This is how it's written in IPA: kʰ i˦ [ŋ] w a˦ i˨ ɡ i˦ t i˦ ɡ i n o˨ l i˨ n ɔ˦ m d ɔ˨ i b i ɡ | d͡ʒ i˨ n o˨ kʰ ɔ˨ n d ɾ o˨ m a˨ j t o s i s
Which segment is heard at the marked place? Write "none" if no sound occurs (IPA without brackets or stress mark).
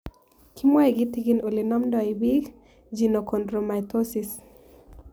m